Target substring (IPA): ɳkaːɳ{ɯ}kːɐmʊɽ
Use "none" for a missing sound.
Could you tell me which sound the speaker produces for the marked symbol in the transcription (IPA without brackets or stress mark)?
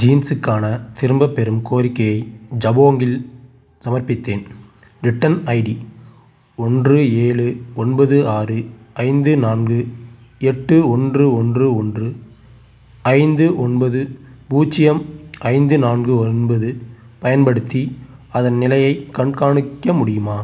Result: ɯ